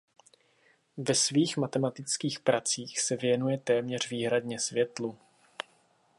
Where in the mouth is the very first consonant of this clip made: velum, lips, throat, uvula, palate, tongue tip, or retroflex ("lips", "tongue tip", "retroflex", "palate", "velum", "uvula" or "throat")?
lips